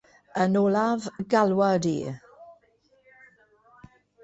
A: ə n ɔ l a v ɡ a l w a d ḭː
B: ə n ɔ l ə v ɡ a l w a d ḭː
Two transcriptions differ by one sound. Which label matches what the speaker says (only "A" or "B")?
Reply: A